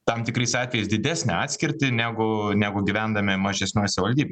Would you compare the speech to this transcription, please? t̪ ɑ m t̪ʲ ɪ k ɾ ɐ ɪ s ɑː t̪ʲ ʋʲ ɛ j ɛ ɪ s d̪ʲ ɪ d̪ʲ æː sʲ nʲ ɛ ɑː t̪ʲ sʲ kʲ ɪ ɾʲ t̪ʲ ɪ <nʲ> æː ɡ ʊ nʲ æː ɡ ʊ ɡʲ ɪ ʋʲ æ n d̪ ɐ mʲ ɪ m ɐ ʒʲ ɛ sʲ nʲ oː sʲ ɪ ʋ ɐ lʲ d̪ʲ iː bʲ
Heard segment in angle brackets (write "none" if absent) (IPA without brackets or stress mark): nʲ